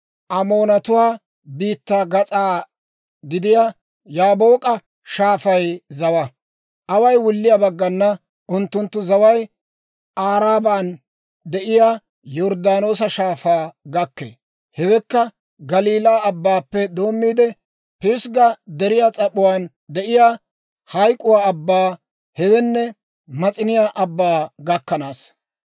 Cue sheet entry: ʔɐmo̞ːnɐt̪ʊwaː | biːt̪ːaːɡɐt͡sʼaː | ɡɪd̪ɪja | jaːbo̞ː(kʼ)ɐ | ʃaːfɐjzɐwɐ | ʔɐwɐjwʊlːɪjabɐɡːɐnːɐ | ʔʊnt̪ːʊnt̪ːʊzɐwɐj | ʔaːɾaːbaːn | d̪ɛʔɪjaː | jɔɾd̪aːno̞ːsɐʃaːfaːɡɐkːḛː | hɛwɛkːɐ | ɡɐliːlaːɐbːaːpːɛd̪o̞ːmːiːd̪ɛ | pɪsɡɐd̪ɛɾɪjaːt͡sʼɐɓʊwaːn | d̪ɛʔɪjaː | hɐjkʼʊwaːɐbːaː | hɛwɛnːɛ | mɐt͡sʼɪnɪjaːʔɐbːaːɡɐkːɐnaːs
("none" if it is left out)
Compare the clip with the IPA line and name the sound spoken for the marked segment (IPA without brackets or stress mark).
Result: kʼ